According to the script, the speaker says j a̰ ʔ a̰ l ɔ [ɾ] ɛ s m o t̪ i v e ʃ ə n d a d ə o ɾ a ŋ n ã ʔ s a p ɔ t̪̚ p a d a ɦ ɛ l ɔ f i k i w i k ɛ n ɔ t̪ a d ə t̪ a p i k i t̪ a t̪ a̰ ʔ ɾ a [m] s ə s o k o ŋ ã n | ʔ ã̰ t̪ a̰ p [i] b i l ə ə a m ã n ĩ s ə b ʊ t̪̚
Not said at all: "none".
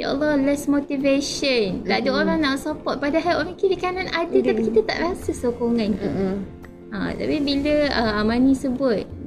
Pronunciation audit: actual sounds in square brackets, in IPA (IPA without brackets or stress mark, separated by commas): l, none, i